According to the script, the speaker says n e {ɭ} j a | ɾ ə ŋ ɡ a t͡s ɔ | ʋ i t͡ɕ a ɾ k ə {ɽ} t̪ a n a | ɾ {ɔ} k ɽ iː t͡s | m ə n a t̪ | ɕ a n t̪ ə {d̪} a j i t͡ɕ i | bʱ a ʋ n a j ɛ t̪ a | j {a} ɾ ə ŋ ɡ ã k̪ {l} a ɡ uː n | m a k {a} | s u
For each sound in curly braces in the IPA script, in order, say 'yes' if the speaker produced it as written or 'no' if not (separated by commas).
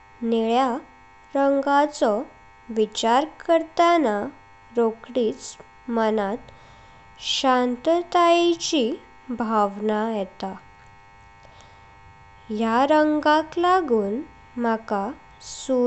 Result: yes, no, no, no, yes, yes, yes